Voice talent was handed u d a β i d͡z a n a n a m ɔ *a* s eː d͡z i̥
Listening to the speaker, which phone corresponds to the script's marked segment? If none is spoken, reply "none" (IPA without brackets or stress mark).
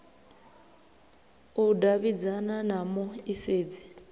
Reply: i